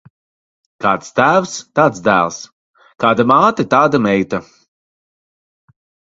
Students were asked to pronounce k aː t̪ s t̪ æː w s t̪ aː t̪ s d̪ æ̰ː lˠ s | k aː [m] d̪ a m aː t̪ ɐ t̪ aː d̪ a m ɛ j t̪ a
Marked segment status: incorrect: none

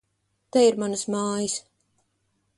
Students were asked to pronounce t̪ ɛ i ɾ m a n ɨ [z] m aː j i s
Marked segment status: incorrect: s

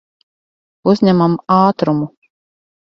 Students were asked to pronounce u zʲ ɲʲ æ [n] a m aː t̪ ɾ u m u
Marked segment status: incorrect: m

